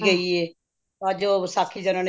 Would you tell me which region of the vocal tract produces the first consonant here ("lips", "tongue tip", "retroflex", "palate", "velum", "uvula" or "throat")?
velum